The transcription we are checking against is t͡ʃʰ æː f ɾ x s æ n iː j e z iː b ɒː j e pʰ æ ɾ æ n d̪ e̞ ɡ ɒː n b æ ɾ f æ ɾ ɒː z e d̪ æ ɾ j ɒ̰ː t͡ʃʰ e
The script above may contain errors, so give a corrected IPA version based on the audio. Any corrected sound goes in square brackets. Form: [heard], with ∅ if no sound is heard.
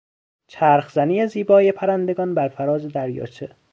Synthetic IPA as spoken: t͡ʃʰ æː [∅] ɾ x [z] æ n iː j e z iː b ɒː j e pʰ æ ɾ æ n d̪ e̞ ɡ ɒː n b æ ɾ f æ ɾ ɒː z e d̪ æ ɾ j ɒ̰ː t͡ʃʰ e